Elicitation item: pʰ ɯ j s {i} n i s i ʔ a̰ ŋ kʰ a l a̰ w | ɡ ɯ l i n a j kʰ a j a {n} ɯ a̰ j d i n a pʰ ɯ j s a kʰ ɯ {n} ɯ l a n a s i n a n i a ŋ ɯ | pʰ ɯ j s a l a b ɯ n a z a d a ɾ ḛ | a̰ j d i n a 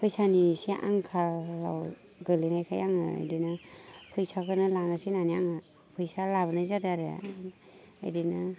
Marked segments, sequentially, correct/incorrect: incorrect, incorrect, correct

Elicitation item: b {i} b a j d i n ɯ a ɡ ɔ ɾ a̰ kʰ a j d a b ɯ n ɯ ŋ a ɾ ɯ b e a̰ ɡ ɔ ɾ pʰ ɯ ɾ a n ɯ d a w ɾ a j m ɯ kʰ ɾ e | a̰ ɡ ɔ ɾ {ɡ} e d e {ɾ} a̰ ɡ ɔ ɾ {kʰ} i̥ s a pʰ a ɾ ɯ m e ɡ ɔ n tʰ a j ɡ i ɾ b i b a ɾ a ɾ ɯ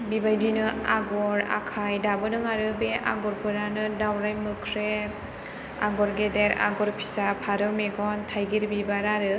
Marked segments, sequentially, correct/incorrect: correct, correct, correct, incorrect

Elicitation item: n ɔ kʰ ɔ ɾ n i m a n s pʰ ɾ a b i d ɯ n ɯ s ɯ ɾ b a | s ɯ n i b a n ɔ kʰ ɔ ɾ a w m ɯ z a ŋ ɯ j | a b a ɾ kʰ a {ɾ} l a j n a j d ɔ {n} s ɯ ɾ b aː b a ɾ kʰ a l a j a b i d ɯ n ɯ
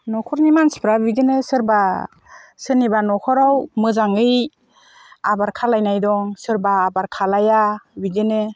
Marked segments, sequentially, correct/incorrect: incorrect, incorrect

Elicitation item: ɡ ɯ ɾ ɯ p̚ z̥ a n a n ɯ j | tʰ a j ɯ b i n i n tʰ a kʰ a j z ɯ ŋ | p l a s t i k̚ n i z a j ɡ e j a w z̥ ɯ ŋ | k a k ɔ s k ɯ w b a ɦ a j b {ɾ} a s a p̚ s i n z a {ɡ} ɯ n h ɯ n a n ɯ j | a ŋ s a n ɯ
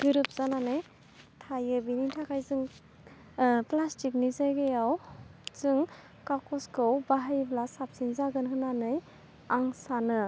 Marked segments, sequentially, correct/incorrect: incorrect, correct

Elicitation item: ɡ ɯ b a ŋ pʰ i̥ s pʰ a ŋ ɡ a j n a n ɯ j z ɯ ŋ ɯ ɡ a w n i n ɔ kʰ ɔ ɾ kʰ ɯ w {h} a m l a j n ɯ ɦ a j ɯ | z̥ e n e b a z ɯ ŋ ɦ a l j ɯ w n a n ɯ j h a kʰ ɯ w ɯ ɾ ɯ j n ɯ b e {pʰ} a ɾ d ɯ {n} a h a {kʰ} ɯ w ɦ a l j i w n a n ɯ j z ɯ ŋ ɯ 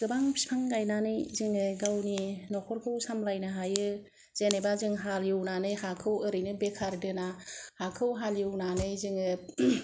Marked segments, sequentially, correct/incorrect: incorrect, incorrect, correct, correct

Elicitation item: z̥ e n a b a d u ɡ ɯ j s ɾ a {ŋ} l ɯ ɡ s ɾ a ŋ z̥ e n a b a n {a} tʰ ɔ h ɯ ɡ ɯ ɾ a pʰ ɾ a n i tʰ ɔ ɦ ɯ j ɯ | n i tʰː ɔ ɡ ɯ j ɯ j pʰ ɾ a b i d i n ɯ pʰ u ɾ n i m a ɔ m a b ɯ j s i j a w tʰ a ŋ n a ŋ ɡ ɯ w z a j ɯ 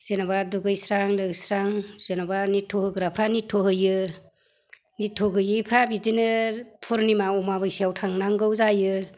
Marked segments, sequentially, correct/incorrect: correct, incorrect

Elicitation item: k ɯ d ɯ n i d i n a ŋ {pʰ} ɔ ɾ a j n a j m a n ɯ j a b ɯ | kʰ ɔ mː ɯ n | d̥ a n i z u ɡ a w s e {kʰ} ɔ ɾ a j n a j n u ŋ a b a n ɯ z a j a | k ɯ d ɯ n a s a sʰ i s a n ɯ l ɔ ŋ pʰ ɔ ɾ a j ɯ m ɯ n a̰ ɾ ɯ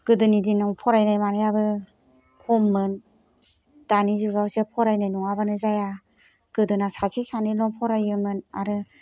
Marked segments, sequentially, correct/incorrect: correct, incorrect

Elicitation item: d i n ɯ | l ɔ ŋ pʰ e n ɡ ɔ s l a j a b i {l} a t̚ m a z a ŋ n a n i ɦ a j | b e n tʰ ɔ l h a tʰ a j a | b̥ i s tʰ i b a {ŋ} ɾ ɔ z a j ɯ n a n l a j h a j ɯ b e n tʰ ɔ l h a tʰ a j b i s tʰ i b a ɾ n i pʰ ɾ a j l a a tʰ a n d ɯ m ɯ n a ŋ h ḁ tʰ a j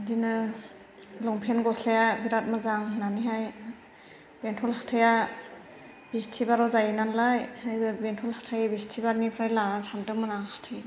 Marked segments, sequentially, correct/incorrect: incorrect, incorrect

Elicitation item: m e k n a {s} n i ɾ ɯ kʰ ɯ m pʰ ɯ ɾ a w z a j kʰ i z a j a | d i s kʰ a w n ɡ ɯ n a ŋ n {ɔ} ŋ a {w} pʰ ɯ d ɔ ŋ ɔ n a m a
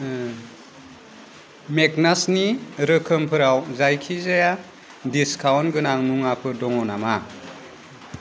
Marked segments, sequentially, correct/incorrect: correct, incorrect, incorrect

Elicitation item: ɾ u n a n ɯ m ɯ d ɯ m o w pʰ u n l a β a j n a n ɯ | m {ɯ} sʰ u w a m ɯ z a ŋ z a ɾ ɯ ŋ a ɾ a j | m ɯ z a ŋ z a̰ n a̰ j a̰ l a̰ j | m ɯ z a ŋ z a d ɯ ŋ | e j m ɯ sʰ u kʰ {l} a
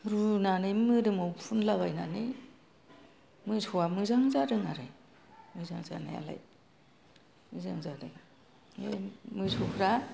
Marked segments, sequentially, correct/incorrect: correct, incorrect

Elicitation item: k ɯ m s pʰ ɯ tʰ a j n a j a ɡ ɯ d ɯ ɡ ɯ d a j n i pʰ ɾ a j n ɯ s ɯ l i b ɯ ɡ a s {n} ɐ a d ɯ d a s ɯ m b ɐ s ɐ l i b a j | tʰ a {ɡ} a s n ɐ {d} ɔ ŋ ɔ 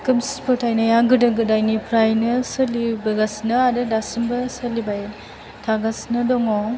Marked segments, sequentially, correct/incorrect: correct, correct, correct

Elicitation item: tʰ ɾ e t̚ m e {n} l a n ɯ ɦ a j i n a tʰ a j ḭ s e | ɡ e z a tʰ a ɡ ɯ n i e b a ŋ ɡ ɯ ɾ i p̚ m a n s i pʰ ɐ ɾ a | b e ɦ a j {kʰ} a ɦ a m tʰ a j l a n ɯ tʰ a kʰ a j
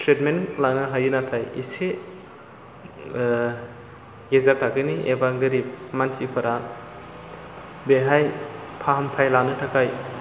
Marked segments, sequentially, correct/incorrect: correct, incorrect

